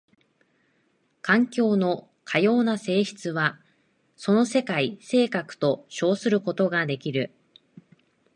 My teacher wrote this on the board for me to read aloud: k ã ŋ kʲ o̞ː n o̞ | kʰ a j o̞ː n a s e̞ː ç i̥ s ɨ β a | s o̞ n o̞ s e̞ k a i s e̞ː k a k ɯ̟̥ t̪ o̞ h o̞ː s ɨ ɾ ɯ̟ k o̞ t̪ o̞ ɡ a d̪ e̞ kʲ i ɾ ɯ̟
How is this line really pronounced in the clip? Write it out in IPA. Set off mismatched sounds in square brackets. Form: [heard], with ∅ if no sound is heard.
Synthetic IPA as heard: k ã ŋ kʲ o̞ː n o̞ | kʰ a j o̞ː n a s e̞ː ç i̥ [t͡s] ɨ β a | s o̞ n o̞ s e̞ k a i s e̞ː k a k ɯ̟̥ t̪ o̞ [ɕ] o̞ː s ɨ ɾ ɯ̟ k o̞ t̪ o̞ ɡ a d̪ e̞ kʲ i ɾ ɯ̟

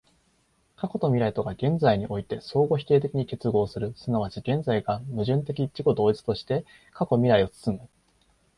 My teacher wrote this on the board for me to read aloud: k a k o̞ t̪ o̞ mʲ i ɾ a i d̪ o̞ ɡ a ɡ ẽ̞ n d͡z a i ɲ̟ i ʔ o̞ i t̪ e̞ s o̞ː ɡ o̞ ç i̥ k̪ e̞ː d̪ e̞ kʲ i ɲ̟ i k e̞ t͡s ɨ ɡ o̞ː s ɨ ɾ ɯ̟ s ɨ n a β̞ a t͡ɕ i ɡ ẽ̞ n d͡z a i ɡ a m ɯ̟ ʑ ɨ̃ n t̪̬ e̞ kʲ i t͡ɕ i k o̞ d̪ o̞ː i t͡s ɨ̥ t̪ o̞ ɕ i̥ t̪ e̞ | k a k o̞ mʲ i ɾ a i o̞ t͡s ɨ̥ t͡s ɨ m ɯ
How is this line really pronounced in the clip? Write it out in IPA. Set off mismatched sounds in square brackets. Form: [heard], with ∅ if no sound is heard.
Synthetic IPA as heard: k a k o̞ t̪ o̞ mʲ i ɾ a i [t̪] o̞ ɡ a ɡ ẽ̞ n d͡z a i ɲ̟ i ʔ o̞ i t̪ e̞ s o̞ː ɡ o̞ ç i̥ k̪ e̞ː [t̪] e̞ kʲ i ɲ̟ i k e̞ t͡s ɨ ɡ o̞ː s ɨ ɾ ɯ̟ s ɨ n a β̞ a t͡ɕ i ɡ ẽ̞ n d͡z a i ɡ a m ɯ̟ ʑ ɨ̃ n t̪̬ e̞ kʲ i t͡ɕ i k o̞ d̪ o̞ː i t͡s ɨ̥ t̪ o̞ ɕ i̥ t̪ e̞ | k a k o̞ mʲ i ɾ a i o̞ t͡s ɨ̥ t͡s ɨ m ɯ

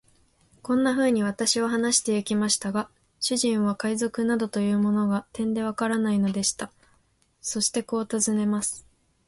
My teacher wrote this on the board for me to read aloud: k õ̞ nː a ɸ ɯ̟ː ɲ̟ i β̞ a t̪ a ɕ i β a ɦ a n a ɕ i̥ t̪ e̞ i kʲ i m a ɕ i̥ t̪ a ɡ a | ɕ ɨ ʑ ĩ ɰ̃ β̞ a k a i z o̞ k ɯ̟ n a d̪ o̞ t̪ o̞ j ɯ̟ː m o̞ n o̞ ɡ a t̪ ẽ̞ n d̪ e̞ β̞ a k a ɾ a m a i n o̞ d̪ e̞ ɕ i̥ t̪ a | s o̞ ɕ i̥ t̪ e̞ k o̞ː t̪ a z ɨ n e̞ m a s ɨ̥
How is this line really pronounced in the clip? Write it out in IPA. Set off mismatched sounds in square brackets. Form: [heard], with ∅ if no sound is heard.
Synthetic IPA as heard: k õ̞ nː a ɸ ɯ̟ː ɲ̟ i β̞ a t̪ a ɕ i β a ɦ a n a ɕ i̥ t̪ e̞ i kʲ i m a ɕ i̥ t̪ a ɡ a | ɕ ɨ ʑ ĩ ɰ̃ β̞ a k a i z o̞ k ɯ̟ n a d̪ o̞ t̪ o̞ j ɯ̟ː m o̞ n o̞ ɡ a t̪ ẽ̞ n d̪ e̞ β̞ a k a ɾ a [n] a i n o̞ d̪ e̞ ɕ i̥ t̪ a | s o̞ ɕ i̥ t̪ e̞ k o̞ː t̪ a z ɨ n e̞ m a s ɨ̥

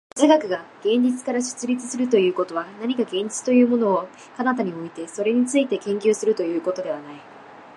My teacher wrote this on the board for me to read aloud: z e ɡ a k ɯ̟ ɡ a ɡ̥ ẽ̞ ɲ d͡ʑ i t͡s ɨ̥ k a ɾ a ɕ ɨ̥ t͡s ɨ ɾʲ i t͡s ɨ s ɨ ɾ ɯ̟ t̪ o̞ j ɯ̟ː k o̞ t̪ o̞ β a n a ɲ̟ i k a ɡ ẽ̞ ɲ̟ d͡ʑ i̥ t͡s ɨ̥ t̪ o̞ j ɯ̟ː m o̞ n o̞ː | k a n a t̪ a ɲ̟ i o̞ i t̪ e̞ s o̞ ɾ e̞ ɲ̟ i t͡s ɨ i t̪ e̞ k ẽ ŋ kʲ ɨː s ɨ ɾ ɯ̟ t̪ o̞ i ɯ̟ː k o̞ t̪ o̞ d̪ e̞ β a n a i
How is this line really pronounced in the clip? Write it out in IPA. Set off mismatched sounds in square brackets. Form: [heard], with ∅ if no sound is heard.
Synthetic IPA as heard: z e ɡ a k ɯ̟ ɡ a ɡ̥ ẽ̞ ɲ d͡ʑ i t͡s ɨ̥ k a ɾ a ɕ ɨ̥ t͡s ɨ ɾʲ i t͡s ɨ s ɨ ɾ ɯ̟ t̪ o̞ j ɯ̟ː k o̞ t̪ o̞ β a n a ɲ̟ i k a ɡ ẽ̞ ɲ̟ d͡ʑ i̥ t͡s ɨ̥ t̪ o̞ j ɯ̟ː m o̞ n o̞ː | k a n a t̪ a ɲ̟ i o̞ i t̪ e̞ s o̞ ɾ e̞ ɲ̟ i t͡s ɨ i t̪ e̞ k ẽ ŋ kʲ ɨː s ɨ ɾ ɯ̟ t̪ o̞ [j] ɯ̟ː k o̞ t̪ o̞ d̪ e̞ β a n a i

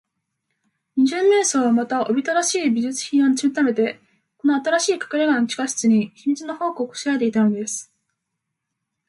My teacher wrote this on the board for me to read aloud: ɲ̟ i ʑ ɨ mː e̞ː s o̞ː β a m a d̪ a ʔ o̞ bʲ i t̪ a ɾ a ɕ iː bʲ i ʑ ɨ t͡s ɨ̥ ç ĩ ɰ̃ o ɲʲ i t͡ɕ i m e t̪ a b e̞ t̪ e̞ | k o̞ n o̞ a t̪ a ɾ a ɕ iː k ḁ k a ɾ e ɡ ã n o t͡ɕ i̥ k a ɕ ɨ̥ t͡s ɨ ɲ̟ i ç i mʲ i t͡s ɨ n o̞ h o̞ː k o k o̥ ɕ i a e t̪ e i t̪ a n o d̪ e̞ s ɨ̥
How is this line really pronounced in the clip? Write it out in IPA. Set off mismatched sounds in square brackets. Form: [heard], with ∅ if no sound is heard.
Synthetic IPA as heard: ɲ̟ i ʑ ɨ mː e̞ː s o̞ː β a m a [t̪] a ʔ o̞ bʲ i t̪ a ɾ a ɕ iː bʲ i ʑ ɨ t͡s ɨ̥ ç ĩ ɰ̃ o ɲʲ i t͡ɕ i m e t̪ a [m] e̞ t̪ e̞ | k o̞ n o̞ a t̪ a ɾ a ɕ iː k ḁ k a ɾ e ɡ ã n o t͡ɕ i̥ k a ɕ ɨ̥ t͡s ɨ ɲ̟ i ç i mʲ i t͡s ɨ n o̞ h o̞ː k o k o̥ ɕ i a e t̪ e i t̪ a n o d̪ e̞ s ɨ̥

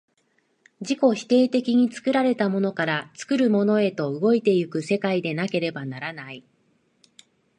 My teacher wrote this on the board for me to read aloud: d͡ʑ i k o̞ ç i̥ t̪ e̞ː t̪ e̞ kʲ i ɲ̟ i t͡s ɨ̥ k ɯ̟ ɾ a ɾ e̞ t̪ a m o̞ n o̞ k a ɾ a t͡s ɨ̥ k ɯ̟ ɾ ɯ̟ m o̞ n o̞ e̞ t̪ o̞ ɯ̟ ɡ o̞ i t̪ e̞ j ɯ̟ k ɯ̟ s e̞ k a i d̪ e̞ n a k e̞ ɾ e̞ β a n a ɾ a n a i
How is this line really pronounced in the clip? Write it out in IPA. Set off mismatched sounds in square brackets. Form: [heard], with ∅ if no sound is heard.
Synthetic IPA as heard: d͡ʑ i k o̞ ç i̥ t̪ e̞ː t̪ e̞ kʲ i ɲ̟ i t͡s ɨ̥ k ɯ̟ ɾ a ɾ e̞ t̪ a m o̞ n o̞ k a ɾ a t͡s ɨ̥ k ɯ̟ ɾ ɯ̟ m o̞ n o̞ e̞ t̪ o̞ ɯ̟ ɡ o̞ i t̪ e̞ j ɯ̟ k ɯ̟ s e̞ k a i d̪ e̞ n a k e̞ ɾ e̞ [b] a n a ɾ a n a i

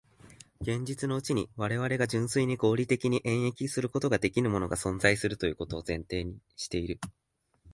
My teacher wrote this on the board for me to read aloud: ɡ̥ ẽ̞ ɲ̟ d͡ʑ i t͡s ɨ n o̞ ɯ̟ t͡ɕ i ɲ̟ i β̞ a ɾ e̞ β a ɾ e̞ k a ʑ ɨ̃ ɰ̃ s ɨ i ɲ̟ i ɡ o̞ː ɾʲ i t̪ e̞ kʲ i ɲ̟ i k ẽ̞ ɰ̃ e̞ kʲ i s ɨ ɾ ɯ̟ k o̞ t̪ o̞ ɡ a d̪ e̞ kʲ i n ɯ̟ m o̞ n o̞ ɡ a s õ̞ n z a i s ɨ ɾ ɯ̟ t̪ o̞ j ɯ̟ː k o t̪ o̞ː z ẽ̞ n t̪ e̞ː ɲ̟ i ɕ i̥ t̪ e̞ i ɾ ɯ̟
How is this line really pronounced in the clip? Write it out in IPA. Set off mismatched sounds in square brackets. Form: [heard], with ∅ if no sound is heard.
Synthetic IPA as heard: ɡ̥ ẽ̞ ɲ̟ d͡ʑ i t͡s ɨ n o̞ ɯ̟ t͡ɕ i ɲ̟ i β̞ a ɾ e̞ β a ɾ e̞ [ɡ] a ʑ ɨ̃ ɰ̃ s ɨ i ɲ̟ i ɡ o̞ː ɾʲ i t̪ e̞ kʲ i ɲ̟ i [ʔ] ẽ̞ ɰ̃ e̞ kʲ i s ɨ ɾ ɯ̟ k o̞ t̪ o̞ ɡ a d̪ e̞ kʲ i n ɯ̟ m o̞ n o̞ ɡ a s õ̞ n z a i s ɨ ɾ ɯ̟ t̪ o̞ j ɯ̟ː k o t̪ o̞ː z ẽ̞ n t̪ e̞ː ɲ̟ i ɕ i̥ t̪ e̞ i ɾ ɯ̟

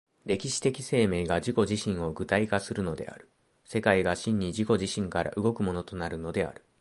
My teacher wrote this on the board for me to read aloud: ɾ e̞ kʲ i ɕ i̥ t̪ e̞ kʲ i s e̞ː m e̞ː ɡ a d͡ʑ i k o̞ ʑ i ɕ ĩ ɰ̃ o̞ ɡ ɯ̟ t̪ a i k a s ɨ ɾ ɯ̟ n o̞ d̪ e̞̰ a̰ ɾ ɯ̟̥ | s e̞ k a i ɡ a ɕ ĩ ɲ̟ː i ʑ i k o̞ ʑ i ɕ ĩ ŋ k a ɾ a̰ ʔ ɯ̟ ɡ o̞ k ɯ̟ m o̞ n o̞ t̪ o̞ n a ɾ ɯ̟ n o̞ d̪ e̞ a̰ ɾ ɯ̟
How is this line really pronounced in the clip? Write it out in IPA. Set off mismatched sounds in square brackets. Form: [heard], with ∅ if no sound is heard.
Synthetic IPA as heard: ɾ e̞ kʲ i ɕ i̥ t̪ e̞ kʲ i s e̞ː m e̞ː ɡ a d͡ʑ i k o̞ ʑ i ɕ ĩ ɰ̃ o̞ ɡ ɯ̟ t̪ a i k a s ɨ ɾ ɯ̟ n o̞ d̪ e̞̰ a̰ ɾ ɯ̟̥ | s e̞ k a i ɡ a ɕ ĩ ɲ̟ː i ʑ i k o̞ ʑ i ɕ ĩ ŋ k a ɾ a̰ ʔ ɯ̟ ɡ o̞ k ɯ̟ m o̞ n o̞ t̪ o̞ n a ɾ ɯ̟ n o̞ d̪ e̞ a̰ ɾ ɯ̟

